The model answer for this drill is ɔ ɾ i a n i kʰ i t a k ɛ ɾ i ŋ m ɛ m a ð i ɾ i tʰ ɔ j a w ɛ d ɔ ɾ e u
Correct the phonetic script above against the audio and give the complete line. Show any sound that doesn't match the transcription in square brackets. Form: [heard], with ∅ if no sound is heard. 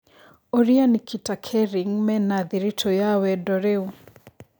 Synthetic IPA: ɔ ɾ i a n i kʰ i t a [kʰ] ɛ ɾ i ŋ m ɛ [n] a ð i ɾ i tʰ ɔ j a w ɛ d ɔ ɾ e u